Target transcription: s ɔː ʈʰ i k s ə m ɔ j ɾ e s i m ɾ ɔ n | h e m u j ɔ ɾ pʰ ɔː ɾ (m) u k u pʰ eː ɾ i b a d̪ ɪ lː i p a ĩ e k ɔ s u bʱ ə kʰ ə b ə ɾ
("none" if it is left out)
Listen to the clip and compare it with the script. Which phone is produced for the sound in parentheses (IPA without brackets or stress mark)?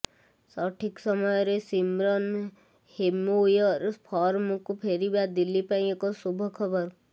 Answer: m